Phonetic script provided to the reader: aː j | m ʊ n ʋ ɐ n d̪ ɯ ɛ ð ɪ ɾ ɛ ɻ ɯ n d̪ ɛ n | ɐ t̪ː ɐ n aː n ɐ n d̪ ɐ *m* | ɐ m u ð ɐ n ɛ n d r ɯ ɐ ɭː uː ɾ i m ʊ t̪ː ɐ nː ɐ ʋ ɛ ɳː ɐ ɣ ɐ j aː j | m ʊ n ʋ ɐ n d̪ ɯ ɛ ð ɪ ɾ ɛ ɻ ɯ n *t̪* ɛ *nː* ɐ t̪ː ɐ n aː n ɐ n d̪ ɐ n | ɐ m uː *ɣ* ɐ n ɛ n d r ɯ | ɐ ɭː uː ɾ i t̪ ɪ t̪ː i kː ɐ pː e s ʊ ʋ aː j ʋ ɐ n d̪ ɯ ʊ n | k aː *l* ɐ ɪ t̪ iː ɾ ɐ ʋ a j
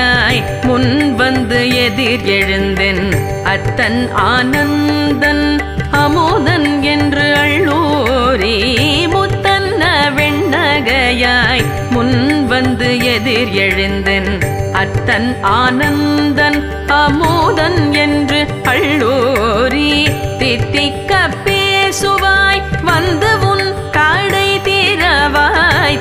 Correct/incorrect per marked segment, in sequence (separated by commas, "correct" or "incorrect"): incorrect, incorrect, incorrect, incorrect, incorrect